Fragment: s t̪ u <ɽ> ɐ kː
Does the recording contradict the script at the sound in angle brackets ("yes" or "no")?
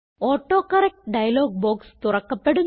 yes